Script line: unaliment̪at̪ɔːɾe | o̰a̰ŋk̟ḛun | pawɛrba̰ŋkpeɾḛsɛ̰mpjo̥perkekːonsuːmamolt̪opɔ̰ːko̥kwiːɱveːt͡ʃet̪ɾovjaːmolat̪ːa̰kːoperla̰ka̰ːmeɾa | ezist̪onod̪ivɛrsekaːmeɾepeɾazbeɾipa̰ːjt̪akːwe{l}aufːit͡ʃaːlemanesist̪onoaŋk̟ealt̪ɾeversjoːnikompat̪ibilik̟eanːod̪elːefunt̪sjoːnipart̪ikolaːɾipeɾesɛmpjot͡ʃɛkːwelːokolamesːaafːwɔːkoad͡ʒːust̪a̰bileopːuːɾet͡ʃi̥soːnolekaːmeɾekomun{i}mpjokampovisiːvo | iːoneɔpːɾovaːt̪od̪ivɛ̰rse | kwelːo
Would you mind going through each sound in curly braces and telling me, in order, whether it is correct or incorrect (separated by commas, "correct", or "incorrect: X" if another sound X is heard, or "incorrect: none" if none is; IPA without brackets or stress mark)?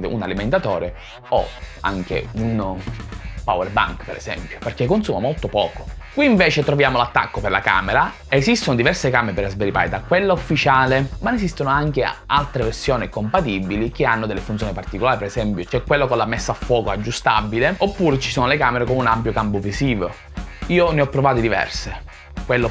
incorrect: lː, incorrect: a